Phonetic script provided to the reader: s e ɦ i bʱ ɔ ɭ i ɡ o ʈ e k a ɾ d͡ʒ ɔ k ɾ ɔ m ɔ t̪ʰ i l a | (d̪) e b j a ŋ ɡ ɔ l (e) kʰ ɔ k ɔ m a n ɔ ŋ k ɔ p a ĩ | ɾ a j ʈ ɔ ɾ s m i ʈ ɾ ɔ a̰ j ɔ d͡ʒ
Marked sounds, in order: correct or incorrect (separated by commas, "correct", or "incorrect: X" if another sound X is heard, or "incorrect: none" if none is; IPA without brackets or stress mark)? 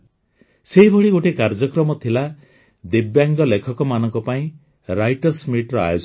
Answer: correct, correct